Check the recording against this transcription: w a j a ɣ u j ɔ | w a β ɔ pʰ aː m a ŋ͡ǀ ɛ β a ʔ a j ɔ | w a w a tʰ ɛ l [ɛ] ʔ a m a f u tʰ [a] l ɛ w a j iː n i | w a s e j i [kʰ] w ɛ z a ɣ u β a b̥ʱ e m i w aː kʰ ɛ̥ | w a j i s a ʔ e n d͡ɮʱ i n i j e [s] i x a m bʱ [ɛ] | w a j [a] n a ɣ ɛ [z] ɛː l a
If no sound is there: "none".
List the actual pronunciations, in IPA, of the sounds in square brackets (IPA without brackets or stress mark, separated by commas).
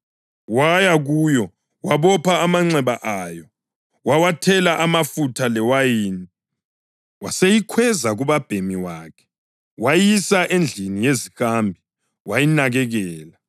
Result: a, a, kʰ, z, i, i, ɣ